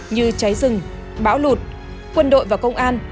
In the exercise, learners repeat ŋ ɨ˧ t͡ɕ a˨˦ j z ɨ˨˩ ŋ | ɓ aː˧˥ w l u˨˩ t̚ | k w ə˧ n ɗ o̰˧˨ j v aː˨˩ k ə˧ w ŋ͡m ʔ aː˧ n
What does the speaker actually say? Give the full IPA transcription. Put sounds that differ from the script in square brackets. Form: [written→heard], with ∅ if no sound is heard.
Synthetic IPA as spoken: [ŋ→ɲ] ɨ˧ t͡ɕ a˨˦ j z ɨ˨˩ ŋ | ɓ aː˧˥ w l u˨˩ t̚ | k w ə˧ n ɗ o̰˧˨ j v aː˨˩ k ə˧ w ŋ͡m ʔ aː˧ n